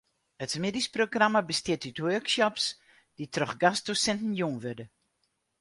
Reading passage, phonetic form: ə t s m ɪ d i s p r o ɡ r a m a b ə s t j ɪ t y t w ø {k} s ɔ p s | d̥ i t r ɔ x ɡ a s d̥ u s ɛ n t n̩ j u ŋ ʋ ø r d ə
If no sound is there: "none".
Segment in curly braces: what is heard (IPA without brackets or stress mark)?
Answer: k